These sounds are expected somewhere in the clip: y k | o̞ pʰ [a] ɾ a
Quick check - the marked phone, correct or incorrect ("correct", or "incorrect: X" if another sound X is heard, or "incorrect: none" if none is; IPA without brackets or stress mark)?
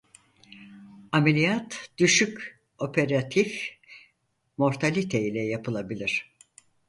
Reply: incorrect: e